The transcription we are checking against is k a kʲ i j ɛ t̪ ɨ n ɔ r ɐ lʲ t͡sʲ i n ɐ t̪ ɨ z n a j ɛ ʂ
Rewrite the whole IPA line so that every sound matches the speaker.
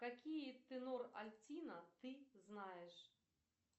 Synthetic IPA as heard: k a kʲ i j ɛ t̪ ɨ n ɔ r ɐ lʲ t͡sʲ i n ɐ t̪ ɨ z n a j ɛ ʂ